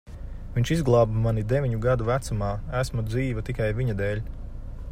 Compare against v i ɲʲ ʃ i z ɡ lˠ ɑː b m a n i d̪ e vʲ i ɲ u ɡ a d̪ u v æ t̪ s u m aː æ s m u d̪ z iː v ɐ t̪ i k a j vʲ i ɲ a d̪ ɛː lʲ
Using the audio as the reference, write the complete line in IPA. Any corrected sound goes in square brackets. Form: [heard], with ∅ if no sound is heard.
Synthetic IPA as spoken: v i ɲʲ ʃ i z ɡ lˠ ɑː b m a n i d̪ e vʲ i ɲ u ɡ a d̪ u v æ t̪ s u m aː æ s m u d̪ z iː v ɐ t̪ i k a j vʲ i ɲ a d̪ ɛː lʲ